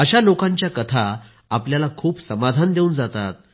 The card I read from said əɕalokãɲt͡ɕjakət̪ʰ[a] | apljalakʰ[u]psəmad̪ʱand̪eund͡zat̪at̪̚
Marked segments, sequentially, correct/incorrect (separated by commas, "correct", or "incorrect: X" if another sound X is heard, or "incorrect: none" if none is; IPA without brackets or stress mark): correct, incorrect: uː